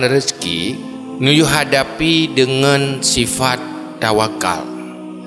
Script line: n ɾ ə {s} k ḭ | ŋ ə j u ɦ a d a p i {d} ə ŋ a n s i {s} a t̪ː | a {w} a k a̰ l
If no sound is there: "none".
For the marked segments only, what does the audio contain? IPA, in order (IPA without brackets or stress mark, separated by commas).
s, d, f, w